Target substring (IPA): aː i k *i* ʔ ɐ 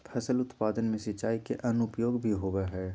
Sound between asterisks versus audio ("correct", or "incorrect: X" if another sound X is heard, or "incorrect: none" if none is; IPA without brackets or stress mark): incorrect: e